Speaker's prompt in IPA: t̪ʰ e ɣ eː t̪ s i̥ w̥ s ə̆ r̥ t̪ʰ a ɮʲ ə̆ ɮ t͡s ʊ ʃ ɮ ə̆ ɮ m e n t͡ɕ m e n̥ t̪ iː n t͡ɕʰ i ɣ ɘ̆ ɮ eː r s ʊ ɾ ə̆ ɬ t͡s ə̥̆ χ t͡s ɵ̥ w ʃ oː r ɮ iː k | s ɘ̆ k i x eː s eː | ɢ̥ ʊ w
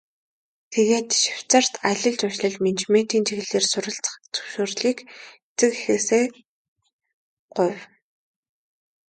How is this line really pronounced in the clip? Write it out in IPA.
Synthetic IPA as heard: t̪ʰ e ɣ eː t̪ ʃ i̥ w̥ t͡s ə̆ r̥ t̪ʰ a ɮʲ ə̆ ɮ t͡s ʊ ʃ ɮ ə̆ ɮ m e n t͡ɕ m e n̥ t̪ iː n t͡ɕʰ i ɣ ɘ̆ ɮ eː r s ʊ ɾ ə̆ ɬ t͡s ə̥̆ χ t͡s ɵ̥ w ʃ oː r ɮ iː k | t͡s ɘ̆ k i x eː s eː | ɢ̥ ʊ w